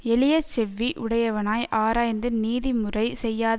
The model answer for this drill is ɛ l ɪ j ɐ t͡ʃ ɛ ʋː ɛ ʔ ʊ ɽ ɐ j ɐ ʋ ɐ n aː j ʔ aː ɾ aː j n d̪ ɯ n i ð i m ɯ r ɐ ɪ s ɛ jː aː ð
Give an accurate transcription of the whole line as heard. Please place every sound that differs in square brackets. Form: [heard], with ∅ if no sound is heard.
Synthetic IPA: ɛ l ɪ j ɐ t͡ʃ ɛ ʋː [i] ʔ ʊ ɽ ɐ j ɐ ʋ ɐ n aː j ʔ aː ɾ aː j n d̪ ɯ n [iː] ð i m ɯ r ɐ ɪ s ɛ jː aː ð